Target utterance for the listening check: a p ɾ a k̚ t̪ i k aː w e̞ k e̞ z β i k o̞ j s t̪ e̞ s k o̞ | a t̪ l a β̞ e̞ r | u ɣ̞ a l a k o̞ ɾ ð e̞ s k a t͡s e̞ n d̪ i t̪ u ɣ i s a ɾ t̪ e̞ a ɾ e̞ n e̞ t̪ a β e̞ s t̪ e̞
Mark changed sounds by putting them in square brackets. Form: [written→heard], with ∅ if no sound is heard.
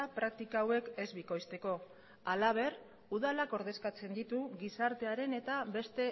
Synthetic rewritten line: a p ɾ a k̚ t̪ i k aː w e̞ k e̞ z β i k o̞ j s t̪ e̞ [s→∅] k o̞ | a [t̪→∅] l a β̞ e̞ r | u [ɣ̞→ð̞] a l a k o̞ ɾ ð e̞ s k a t͡s e̞ n d̪ i t̪ u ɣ i s a ɾ t̪ e̞ a ɾ e̞ n e̞ t̪ a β e̞ s t̪ e̞